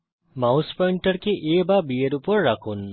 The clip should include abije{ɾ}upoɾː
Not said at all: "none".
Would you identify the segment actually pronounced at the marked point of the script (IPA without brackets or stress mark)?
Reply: ɾ